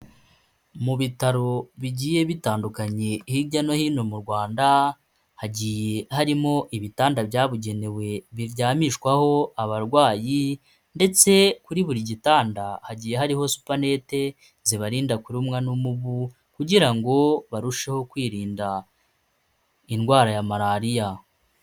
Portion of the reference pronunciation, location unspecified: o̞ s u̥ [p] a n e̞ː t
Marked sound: correct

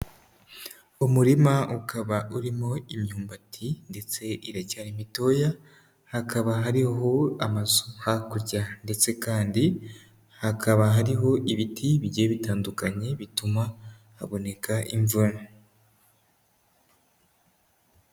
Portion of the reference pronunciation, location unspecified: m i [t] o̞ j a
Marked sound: correct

